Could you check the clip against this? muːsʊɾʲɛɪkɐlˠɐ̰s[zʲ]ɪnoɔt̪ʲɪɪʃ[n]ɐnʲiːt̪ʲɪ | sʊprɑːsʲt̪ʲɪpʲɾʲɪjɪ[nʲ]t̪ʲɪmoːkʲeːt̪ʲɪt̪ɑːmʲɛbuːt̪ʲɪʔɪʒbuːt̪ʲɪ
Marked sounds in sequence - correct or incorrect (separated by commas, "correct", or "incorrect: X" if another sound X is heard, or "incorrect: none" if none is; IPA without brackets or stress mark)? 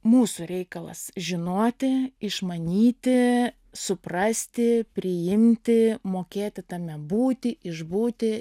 incorrect: ʒʲ, incorrect: m, incorrect: mʲ